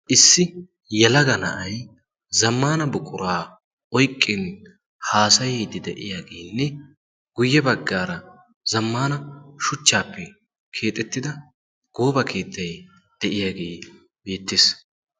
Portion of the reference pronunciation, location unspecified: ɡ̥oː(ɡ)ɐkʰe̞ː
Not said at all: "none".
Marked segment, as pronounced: b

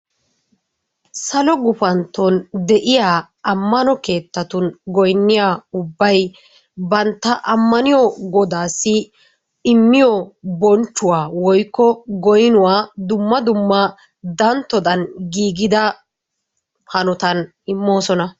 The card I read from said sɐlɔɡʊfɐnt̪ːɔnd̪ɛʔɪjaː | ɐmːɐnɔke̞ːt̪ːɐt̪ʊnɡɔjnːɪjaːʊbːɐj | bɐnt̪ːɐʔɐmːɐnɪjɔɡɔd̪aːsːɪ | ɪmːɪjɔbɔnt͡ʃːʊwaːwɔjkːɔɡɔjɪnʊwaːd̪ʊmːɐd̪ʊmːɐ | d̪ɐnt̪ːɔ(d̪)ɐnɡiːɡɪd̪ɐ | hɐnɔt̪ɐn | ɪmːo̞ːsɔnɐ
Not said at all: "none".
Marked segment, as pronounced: d̪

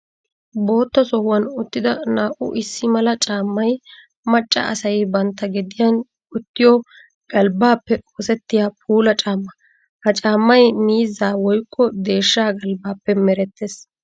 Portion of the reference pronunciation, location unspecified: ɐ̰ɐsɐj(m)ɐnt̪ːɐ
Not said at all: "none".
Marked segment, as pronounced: b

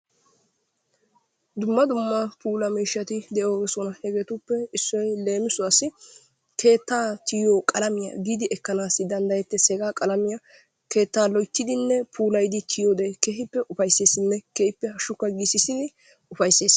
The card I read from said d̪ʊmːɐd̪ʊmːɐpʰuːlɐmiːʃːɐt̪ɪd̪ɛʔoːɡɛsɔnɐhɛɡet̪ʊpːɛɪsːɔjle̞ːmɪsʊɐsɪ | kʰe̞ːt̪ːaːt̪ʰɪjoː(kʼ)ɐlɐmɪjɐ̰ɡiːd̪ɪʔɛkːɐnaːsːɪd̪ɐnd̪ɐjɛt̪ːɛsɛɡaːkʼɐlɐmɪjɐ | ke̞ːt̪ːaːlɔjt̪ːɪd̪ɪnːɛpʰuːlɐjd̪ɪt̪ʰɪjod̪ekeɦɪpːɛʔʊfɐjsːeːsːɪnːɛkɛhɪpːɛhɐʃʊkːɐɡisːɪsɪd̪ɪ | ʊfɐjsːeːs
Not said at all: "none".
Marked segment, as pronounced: kʼ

